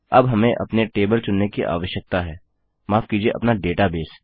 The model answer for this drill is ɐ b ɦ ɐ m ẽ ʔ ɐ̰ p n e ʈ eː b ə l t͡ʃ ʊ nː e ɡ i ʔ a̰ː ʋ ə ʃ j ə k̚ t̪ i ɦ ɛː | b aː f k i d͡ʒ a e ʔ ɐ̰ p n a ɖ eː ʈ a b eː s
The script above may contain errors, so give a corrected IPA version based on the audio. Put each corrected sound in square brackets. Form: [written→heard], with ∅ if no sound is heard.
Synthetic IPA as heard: ɐ b ɦ ɐ m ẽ ʔ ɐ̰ p n e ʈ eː b ə l t͡ʃ ʊ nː e [ɡ→k] i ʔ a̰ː ʋ ə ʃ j ə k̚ t̪ [i→a] ɦ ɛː | [b→m] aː f k i d͡ʒ [a→i] e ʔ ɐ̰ p n a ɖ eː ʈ a b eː s